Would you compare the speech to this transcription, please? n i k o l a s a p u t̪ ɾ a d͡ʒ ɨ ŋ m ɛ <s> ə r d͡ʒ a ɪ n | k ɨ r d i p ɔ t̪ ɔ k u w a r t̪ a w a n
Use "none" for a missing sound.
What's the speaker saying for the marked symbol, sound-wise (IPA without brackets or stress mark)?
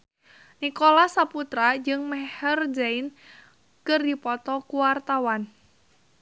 h